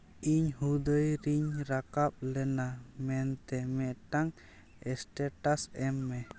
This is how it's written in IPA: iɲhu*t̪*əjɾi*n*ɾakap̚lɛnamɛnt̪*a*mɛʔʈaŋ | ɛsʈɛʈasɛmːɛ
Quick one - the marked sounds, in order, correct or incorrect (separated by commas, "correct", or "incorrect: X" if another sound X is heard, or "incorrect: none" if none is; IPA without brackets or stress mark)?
incorrect: d̪, incorrect: ɲ, incorrect: ɛ